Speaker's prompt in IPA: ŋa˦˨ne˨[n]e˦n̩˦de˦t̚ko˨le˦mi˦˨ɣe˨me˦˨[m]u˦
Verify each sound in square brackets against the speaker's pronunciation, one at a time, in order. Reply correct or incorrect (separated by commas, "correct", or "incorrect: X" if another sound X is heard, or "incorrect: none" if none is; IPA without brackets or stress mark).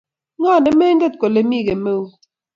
incorrect: m, incorrect: none